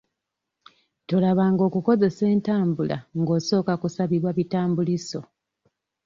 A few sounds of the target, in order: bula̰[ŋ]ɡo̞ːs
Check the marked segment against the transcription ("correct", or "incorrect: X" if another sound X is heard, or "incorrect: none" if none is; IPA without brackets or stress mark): correct